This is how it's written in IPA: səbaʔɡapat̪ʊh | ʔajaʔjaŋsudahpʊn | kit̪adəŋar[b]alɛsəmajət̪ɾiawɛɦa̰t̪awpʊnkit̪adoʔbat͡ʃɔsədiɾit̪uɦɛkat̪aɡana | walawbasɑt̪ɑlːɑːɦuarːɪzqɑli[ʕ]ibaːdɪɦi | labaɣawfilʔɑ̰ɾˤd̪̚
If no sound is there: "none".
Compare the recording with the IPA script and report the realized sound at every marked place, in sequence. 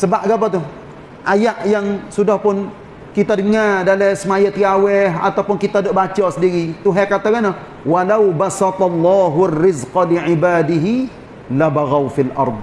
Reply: d, ʕ

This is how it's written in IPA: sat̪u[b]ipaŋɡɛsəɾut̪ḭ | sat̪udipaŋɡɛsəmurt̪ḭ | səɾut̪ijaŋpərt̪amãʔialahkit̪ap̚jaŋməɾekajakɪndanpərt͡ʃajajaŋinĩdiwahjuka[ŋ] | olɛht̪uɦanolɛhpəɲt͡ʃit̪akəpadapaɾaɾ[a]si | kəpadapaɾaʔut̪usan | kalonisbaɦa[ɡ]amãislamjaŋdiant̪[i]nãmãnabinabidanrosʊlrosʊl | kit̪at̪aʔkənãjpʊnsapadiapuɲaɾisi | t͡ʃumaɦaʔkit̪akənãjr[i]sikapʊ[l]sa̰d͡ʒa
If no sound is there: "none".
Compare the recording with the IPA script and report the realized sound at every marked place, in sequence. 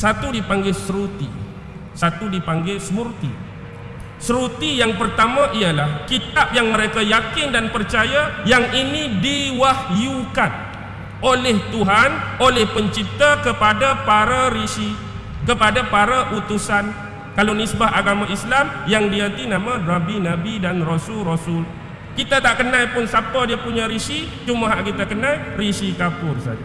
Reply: d, n, i, ɡ, i, i, r

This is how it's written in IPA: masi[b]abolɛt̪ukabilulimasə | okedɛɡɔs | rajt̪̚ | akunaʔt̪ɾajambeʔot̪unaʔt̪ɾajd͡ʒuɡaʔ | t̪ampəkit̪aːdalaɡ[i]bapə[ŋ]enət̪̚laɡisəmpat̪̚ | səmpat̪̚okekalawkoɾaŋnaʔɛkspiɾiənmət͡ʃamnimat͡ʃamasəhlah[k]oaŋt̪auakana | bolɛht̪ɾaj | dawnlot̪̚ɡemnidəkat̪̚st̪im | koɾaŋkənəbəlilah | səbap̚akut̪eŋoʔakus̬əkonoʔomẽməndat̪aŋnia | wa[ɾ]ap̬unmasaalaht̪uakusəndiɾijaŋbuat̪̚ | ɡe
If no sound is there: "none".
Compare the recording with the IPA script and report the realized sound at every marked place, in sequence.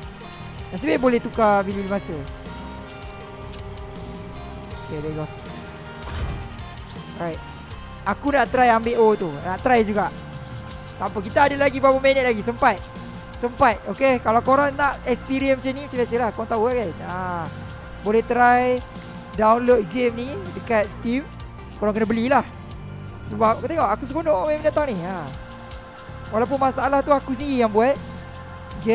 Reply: b, i, m, k, l

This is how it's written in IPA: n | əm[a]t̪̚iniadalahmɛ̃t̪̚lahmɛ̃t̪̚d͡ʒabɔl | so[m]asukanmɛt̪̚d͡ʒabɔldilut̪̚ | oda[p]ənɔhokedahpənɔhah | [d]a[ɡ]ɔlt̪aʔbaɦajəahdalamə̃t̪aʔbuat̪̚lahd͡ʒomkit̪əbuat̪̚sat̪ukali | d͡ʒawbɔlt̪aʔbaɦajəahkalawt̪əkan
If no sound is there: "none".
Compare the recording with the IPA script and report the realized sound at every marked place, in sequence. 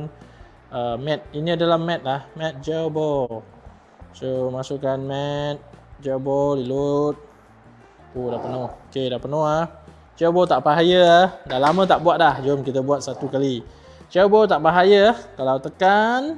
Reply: ɛ, m, p, d͡ʒ, b

